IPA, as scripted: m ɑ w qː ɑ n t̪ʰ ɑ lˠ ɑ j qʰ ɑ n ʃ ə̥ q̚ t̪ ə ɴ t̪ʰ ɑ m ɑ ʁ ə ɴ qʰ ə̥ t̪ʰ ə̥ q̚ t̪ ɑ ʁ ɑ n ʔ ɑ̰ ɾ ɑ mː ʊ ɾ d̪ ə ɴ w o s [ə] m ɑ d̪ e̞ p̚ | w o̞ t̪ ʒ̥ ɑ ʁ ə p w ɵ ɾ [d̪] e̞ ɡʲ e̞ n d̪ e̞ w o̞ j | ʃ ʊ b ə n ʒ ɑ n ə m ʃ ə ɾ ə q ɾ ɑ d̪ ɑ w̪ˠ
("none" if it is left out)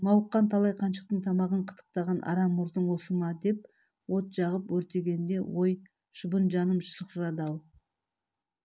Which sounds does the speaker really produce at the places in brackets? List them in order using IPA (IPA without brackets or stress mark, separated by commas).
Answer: ə, t̪